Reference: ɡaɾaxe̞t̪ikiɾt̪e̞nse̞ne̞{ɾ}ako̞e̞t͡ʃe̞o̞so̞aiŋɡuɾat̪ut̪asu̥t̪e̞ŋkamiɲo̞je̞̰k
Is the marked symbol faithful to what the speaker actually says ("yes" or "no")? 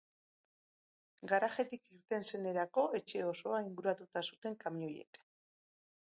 yes